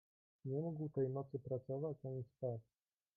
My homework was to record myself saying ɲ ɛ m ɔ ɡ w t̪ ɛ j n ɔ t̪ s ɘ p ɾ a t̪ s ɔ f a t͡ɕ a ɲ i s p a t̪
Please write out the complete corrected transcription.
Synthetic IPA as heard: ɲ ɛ m u ɡ w t̪ ɛ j n ɔ t̪ s ɘ p ɾ a t̪ s ɔ v a t͡ɕ a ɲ i s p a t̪